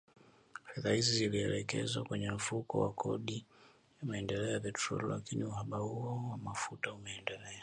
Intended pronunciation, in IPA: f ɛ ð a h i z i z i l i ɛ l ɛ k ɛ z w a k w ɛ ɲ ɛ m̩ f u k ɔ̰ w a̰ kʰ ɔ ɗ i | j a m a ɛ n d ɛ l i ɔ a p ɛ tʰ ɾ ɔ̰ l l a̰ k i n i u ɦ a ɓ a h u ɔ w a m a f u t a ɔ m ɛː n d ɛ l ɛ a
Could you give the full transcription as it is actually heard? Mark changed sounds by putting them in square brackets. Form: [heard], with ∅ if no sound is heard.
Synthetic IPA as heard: f ɛ ð a h i z i z i l i ɛ l ɛ k ɛ z w a k w ɛ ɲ ɛ m̩ f u k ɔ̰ w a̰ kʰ ɔ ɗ i | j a m a ɛ n d ɛ l [ɛ] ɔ a p ɛ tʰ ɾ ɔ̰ l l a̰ k i n i u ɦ a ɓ a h u ɔ w a m a f u t a [u] m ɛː n d ɛ l ɛ a